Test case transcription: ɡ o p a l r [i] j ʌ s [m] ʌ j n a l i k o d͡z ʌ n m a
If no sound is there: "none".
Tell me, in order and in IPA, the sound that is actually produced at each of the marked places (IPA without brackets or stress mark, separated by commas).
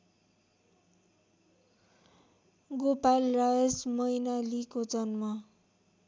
a, m